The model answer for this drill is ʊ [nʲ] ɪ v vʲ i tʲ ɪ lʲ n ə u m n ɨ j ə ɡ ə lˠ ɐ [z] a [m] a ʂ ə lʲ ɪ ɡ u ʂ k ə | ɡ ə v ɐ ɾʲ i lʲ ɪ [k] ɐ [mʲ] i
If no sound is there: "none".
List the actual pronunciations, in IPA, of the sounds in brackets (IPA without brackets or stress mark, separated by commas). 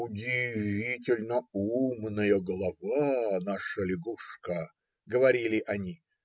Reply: dʲ, v, n, ʔ, nʲ